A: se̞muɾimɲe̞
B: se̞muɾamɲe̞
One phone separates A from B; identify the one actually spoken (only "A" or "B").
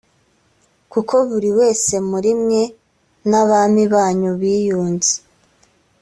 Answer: A